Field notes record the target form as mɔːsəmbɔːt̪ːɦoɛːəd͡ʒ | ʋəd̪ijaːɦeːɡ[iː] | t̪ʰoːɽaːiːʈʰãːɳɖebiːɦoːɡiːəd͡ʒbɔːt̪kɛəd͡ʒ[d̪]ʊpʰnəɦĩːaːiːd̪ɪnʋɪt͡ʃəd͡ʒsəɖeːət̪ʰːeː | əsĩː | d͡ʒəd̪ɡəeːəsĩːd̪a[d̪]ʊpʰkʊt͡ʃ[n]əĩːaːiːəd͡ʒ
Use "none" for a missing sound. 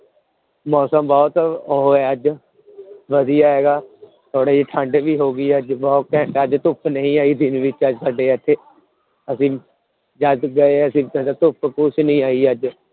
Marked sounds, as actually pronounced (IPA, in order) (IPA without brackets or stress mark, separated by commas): aː, t̪, t̪, n